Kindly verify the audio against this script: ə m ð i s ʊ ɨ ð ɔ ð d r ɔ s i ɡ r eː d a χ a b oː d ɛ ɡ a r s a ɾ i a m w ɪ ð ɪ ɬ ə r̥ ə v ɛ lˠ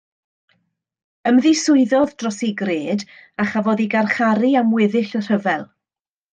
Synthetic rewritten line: ə m ð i s ʊ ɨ ð ɔ ð d r ɔ s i ɡ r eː d a χ a v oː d i ɡ a r χ a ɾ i a m w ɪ ð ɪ ɬ ə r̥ ə v ɛ lˠ